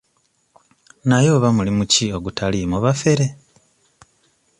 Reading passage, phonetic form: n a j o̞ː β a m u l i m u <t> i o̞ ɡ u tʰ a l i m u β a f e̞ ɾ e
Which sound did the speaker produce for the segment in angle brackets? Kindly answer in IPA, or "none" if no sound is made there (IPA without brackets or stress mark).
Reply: c